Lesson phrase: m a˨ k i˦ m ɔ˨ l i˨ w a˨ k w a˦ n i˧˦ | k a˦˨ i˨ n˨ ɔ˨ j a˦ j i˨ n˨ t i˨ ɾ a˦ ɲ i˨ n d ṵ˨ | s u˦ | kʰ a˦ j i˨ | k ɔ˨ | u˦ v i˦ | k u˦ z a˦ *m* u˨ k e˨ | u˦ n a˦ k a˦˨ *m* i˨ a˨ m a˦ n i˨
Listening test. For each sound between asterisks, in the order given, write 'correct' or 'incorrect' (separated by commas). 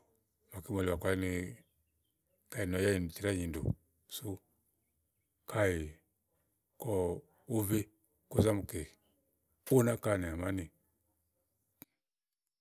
correct, incorrect